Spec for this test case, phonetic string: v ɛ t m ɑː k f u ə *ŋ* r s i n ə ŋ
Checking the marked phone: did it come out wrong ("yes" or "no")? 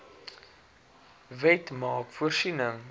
yes